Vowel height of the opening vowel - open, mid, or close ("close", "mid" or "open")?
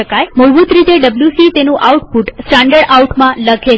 mid